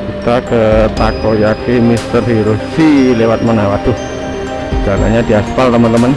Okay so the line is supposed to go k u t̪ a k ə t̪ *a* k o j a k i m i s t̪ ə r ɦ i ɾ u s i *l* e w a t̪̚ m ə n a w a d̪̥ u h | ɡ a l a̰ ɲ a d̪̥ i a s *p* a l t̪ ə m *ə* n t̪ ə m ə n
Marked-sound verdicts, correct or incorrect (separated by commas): correct, correct, correct, correct